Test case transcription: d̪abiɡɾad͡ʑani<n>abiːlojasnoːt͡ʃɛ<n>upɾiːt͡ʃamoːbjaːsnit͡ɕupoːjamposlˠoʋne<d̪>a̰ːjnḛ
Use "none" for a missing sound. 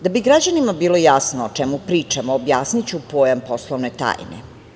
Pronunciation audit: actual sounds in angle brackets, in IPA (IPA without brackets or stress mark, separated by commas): m, m, t̪